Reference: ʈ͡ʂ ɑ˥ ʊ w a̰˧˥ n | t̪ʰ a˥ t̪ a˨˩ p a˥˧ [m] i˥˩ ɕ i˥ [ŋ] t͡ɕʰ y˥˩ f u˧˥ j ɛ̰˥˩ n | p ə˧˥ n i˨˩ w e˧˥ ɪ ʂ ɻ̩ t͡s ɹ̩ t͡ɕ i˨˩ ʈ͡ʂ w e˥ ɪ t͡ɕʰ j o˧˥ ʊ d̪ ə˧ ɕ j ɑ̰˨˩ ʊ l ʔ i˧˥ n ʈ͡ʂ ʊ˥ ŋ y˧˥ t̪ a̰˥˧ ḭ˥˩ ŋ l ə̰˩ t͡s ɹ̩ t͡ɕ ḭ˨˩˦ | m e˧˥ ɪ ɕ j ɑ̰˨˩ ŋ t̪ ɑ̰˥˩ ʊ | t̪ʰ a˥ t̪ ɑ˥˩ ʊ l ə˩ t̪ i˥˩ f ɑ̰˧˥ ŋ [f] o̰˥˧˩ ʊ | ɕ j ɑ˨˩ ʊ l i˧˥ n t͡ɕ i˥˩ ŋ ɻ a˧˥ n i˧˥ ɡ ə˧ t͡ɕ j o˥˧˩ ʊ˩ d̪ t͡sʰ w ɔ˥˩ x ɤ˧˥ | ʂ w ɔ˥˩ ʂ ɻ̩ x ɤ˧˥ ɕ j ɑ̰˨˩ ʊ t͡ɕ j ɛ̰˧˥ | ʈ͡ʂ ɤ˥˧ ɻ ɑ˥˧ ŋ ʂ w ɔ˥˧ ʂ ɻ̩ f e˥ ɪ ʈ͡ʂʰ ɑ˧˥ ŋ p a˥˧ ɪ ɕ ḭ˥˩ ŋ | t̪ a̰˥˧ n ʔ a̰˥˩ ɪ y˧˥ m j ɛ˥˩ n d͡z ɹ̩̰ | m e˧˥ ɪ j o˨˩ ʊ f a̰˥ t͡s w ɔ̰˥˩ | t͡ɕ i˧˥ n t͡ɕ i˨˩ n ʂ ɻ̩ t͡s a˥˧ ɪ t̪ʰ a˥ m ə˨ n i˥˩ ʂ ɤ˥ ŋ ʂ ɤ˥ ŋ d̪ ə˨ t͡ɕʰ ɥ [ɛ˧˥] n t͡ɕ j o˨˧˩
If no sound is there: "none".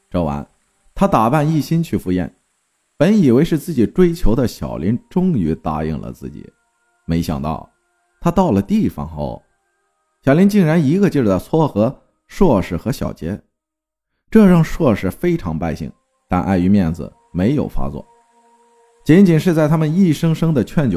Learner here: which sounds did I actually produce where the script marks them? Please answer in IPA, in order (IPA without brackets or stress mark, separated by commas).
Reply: n, n, x, ɛ˥˩